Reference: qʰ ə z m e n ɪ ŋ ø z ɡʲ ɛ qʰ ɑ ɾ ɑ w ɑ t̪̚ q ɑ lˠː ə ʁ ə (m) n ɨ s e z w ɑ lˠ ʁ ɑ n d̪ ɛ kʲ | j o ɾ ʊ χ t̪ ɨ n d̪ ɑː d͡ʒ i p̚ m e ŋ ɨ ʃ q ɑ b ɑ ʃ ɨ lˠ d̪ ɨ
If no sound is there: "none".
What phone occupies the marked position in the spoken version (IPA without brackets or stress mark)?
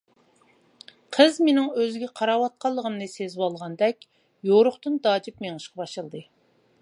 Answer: m